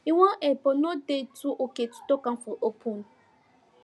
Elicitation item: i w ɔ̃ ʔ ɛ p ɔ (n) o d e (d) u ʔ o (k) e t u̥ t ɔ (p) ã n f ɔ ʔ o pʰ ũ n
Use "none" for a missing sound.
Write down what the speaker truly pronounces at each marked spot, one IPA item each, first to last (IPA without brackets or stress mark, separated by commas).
n, t, k, k